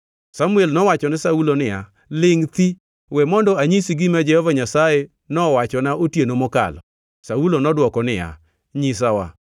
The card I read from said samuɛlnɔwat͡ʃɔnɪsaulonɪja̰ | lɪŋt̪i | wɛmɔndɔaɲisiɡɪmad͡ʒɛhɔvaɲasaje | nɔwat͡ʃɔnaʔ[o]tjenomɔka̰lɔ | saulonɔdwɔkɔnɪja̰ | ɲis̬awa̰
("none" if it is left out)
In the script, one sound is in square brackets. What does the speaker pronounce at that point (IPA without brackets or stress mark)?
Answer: o